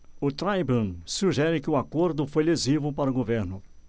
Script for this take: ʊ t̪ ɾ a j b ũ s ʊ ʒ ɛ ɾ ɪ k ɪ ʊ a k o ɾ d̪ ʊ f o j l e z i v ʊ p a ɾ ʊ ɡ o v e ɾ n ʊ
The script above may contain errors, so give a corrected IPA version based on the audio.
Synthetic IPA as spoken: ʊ t̪ ɾ a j b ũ s u ʒ ɛ ɾ ɪ k ɪ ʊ a k o ɾ d̪ ʊ f o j l e z i v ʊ p a ɾ ʊ ɡ o v e ɾ n ʊ